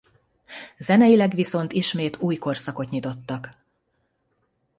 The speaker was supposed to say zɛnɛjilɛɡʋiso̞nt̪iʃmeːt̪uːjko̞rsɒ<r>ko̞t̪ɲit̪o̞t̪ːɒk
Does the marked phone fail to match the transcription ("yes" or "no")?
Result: yes